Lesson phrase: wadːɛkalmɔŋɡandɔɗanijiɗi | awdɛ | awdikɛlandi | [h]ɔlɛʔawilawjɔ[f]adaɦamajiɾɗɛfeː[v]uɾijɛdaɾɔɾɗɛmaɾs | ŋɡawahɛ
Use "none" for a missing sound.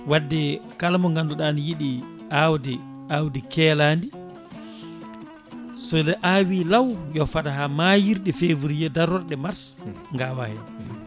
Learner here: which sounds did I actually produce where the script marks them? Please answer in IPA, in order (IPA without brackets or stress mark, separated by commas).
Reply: s, f, v